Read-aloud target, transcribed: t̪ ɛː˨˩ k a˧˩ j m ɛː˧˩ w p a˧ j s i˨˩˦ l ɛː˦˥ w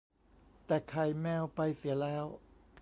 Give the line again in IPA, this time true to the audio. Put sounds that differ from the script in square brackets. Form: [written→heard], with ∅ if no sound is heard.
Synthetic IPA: t̪ ɛː˨˩ [k→kʰ] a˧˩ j m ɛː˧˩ w p a˧ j s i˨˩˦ l ɛː˦˥ w